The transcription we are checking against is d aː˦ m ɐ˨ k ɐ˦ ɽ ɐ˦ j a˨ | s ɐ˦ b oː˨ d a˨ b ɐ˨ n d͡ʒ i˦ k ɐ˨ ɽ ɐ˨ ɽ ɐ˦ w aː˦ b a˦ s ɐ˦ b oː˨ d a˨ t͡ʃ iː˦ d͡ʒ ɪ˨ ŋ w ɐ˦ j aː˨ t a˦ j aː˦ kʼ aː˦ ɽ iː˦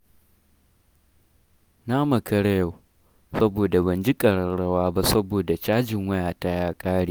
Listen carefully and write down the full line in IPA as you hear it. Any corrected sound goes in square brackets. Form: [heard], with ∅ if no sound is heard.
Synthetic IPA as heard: [n] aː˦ m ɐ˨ k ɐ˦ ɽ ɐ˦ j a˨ | s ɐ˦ b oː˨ d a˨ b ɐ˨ n d͡ʒ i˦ [kʼ] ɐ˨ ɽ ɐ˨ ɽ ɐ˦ w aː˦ b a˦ s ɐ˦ b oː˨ d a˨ t͡ʃ [aː˦] d͡ʒ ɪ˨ ŋ w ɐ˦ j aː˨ t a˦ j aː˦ kʼ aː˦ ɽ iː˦